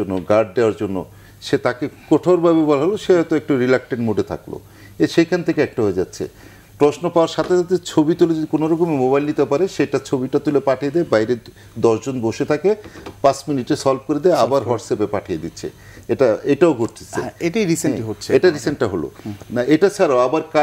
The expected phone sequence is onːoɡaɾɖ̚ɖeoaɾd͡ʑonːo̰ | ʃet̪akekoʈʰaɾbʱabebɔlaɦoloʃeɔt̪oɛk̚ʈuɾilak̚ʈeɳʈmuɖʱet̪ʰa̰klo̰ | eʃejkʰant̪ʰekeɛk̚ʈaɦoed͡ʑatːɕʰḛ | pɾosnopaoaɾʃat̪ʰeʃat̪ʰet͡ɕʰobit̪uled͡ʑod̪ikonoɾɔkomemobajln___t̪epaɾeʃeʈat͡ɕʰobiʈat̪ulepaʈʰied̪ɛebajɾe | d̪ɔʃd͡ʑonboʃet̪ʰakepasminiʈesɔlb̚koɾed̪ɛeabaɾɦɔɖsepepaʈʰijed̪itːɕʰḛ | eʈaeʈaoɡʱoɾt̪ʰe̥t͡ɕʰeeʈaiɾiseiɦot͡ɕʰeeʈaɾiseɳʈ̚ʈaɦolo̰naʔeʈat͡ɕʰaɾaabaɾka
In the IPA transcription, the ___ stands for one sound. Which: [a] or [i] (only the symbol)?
i